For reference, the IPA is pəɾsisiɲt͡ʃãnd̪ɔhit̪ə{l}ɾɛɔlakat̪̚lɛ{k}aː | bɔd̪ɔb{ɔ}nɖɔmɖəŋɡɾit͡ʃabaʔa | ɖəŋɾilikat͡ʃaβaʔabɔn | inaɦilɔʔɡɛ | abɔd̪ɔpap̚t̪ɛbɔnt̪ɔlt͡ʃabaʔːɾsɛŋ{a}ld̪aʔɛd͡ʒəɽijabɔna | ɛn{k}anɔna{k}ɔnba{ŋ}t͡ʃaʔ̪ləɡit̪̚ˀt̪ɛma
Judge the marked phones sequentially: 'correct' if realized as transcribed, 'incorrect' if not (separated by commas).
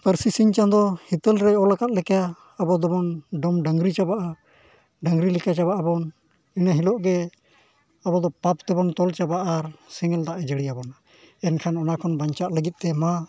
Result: correct, correct, correct, incorrect, incorrect, incorrect, incorrect